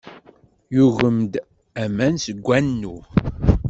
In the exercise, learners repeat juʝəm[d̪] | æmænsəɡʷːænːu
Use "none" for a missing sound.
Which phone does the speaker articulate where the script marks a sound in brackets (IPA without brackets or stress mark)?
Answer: d̪